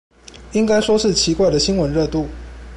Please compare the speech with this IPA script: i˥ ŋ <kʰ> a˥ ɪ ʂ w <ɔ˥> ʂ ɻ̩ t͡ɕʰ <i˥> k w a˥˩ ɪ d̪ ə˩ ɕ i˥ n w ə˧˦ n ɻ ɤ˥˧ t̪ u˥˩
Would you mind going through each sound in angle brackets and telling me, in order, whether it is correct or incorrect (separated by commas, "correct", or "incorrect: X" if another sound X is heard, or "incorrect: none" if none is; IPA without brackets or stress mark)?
incorrect: k, correct, incorrect: i˧˥